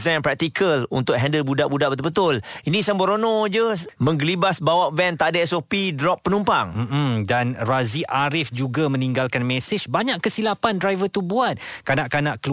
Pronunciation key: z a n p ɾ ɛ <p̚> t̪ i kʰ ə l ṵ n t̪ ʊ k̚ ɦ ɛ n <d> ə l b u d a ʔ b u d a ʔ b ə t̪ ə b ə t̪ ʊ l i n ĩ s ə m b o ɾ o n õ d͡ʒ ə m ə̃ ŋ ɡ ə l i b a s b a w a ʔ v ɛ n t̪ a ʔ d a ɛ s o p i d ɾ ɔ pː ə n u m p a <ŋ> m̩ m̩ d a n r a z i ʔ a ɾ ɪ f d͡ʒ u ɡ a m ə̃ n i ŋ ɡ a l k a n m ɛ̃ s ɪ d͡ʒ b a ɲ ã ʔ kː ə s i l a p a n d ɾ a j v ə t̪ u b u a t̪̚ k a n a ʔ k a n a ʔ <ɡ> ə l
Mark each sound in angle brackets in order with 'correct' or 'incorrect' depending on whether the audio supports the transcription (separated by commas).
incorrect, correct, correct, incorrect